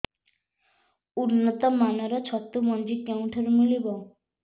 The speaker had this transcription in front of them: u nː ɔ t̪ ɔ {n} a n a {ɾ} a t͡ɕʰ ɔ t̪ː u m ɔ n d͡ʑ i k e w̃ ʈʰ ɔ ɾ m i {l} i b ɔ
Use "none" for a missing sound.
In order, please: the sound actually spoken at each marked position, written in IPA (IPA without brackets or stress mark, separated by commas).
m, ɾ, l